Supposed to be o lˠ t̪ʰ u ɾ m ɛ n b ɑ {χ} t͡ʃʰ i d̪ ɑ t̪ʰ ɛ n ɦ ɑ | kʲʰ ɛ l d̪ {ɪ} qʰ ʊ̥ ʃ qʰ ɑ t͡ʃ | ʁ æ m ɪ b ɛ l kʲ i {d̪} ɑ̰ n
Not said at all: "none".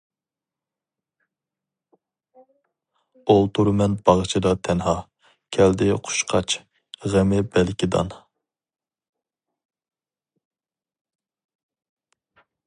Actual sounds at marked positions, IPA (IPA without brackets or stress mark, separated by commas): ʁ, ɪ, d̪